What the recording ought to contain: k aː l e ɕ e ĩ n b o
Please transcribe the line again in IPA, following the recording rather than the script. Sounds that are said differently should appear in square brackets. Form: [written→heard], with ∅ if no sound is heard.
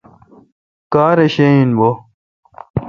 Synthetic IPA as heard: k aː [l→ɾ] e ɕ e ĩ n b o

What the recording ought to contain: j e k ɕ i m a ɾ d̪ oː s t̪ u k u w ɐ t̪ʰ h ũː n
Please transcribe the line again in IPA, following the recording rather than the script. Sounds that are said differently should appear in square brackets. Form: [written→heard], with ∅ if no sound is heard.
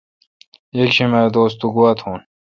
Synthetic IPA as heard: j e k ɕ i m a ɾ d̪ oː s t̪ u [k→ɡ] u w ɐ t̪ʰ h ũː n

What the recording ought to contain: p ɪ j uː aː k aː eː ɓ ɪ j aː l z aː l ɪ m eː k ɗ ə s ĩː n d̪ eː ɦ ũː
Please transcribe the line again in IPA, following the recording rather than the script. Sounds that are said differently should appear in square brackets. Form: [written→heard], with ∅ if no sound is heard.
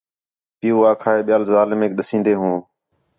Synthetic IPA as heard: p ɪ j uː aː [k→kʰ] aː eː ɓ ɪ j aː l z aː l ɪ m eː k ɗ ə s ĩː n d̪ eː ɦ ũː

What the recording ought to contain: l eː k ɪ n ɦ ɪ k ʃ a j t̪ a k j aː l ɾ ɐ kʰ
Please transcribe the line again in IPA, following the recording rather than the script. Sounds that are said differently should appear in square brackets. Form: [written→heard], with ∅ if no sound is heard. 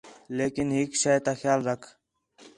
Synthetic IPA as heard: l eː k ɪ n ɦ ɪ k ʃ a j t̪ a [k→x] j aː l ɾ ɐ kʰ

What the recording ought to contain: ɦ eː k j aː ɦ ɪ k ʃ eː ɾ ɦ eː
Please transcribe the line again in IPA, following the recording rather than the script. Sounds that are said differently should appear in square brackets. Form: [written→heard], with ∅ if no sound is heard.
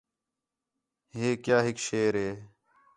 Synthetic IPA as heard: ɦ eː k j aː ɦ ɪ k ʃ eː ɾ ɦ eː

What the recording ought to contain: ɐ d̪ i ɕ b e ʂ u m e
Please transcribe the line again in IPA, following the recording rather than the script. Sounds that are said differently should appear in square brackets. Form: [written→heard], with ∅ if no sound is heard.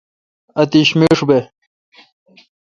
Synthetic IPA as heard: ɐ [d̪→t̪] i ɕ [b→m] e ʂ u [m→b] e

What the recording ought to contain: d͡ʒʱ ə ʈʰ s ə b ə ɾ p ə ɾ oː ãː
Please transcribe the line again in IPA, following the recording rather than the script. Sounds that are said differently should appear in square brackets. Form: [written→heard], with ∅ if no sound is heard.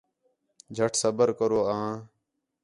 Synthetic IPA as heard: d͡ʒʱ ə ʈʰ s ə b ə ɾ [p→k] ə ɾ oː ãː

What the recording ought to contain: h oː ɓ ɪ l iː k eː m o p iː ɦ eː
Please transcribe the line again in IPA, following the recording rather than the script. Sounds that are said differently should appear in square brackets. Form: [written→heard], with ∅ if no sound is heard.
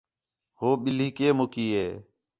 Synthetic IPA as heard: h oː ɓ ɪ l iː k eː m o [p→k] iː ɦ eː

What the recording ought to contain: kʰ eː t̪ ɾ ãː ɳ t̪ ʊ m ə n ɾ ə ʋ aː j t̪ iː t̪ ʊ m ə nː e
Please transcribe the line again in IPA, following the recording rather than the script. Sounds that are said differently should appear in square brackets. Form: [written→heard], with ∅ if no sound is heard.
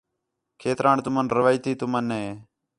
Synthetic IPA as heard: kʰ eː t̪ ɾ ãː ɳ t̪ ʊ m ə n ɾ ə ʋ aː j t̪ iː t̪ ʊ m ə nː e

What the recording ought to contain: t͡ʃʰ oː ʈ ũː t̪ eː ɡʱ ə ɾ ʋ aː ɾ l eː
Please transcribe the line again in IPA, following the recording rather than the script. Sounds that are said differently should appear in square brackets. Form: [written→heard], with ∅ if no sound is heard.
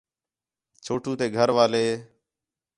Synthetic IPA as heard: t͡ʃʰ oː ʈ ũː t̪ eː ɡʱ ə ɾ ʋ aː [ɾ→∅] l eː

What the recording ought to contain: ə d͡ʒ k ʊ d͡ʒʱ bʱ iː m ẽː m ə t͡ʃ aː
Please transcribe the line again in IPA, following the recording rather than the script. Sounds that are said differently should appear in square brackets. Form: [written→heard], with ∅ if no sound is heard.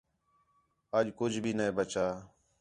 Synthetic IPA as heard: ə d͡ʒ k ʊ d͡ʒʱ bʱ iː [m→n] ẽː [m→b] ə t͡ʃ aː

